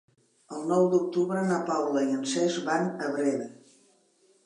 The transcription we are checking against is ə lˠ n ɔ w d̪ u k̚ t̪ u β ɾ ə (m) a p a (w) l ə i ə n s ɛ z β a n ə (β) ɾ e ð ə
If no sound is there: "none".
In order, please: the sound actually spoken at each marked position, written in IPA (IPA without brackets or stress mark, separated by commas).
n, w, β